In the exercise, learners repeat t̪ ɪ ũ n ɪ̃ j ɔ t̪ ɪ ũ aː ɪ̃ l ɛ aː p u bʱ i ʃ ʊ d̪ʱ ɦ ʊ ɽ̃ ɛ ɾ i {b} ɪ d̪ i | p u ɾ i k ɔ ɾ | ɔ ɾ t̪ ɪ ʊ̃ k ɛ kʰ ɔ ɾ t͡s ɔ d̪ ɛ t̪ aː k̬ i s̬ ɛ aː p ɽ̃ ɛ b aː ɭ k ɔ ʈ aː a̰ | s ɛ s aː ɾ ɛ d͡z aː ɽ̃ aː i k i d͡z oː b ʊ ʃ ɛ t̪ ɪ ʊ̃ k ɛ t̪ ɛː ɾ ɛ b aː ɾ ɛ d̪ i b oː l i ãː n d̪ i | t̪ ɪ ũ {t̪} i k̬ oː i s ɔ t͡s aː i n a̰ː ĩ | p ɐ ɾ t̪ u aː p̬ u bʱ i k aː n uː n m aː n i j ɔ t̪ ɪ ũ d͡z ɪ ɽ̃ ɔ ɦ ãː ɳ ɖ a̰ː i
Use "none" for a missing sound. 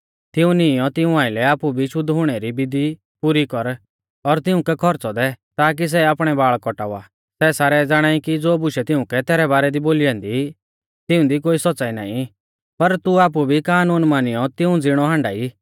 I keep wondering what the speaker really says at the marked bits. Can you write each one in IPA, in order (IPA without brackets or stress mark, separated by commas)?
b, d̪